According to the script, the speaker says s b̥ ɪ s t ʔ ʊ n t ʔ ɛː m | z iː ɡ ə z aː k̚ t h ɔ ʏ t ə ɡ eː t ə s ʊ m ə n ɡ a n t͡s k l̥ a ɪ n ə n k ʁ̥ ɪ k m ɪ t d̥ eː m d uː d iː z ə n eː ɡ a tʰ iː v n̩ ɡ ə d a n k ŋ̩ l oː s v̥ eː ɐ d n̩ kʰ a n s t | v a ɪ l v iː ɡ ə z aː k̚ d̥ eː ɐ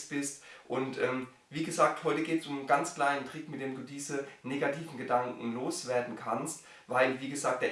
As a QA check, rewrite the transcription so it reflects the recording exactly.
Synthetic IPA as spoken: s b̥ ɪ s t ʔ ʊ n t ʔ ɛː m | v iː ɡ ə z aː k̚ t h ɔ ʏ t ə ɡ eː t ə s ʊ m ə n ɡ a n t͡s k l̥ a ɪ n ə n t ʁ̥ ɪ k m ɪ t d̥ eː m d uː d iː z ə n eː ɡ a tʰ iː v n̩ ɡ ə d a ŋ k ŋ̩ l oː s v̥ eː ɐ d n̩ kʰ a n s t | v a ɪ l v iː ɡ ə z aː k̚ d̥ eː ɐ